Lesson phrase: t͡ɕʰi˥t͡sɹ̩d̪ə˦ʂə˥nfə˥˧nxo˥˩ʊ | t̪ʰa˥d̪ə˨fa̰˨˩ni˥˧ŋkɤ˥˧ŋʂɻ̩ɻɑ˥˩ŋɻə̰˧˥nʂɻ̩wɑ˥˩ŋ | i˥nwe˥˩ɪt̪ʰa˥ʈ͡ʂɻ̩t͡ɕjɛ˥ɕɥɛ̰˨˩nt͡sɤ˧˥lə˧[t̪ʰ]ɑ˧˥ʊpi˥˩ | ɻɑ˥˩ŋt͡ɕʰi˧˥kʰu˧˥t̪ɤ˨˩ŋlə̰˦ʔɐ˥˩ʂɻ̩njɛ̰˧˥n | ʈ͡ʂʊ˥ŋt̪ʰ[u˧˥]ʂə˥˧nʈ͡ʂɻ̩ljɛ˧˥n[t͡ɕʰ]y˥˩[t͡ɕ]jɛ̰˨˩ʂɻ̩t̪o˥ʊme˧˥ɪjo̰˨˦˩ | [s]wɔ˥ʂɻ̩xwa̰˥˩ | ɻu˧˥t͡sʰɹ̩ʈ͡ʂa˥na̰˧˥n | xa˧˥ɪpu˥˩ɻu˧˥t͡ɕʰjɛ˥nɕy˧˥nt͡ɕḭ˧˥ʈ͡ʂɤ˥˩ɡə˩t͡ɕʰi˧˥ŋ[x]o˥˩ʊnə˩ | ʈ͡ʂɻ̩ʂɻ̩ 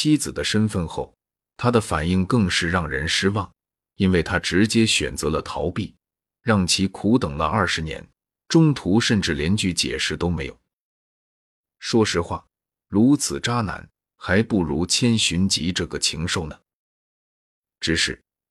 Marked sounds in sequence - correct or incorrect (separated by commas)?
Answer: correct, correct, incorrect, correct, incorrect, incorrect